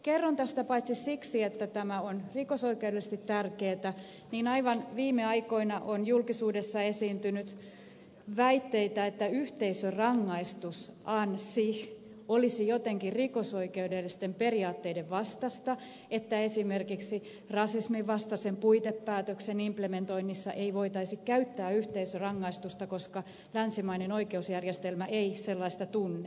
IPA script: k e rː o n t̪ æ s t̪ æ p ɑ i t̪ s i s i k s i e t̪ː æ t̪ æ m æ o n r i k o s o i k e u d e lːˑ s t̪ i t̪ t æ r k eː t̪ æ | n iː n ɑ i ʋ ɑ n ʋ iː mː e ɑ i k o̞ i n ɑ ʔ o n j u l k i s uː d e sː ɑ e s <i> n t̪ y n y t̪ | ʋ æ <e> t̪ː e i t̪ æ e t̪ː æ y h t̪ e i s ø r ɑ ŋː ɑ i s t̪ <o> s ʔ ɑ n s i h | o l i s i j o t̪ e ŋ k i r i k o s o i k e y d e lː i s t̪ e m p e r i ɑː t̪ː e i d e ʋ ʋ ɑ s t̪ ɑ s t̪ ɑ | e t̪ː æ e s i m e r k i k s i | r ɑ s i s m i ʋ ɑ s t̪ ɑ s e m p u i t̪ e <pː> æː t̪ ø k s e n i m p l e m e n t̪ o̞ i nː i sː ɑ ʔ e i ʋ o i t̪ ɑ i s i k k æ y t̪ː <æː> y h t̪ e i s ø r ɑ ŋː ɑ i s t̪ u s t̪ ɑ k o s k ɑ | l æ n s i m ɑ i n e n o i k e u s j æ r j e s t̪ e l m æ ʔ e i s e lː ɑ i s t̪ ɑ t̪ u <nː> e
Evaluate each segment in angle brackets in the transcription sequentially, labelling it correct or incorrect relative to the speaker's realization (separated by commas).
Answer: incorrect, incorrect, incorrect, correct, correct, correct